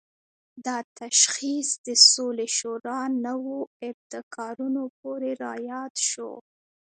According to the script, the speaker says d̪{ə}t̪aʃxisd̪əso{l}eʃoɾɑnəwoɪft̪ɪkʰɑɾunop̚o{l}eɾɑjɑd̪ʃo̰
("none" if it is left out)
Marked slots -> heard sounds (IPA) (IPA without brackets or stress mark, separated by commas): ɑ, l, ɾ